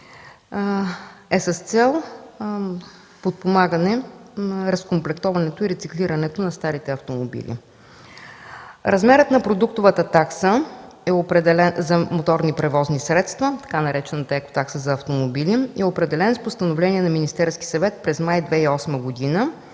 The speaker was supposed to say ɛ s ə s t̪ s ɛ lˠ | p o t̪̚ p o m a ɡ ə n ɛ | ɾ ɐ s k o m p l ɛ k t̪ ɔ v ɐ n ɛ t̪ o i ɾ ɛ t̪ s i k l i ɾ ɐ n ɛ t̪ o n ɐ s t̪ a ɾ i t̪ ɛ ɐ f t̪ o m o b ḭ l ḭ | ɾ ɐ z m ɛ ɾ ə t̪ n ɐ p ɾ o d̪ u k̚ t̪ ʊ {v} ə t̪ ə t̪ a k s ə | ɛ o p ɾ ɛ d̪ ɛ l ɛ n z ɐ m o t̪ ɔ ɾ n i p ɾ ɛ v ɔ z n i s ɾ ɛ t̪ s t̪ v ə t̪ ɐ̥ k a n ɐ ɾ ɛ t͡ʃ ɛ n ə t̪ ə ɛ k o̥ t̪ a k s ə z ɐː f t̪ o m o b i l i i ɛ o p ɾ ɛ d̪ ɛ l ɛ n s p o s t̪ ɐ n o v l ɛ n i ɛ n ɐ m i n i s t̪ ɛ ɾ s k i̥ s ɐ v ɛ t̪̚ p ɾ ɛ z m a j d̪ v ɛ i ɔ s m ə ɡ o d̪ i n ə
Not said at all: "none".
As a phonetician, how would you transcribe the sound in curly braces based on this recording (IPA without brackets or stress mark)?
v